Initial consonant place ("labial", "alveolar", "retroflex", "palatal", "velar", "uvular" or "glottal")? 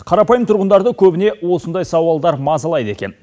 uvular